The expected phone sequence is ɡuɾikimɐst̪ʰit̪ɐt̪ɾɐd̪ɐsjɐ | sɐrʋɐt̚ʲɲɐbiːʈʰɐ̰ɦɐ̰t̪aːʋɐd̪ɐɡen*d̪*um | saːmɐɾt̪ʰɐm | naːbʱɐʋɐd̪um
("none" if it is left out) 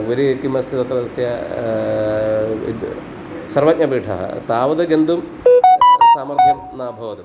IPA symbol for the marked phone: d̪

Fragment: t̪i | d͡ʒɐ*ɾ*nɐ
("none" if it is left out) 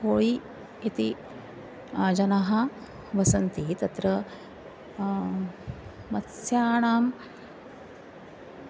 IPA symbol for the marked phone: none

